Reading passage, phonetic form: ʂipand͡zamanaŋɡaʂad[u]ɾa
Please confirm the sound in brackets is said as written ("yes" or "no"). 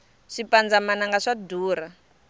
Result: no